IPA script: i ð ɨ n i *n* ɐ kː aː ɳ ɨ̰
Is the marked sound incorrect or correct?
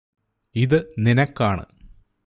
correct